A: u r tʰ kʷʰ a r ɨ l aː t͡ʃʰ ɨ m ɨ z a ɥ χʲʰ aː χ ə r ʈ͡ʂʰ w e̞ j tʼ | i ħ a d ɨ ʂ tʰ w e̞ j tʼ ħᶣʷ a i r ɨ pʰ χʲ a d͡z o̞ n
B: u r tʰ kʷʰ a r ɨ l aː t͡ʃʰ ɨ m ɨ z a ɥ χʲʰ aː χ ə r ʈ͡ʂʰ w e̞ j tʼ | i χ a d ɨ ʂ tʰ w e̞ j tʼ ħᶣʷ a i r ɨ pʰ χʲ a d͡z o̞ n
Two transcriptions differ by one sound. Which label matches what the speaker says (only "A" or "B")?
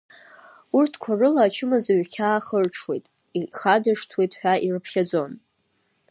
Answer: B